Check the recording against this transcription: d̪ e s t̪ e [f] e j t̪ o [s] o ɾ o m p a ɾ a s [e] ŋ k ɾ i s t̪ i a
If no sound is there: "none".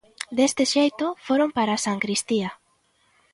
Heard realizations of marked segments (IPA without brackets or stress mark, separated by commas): ʃ, f, a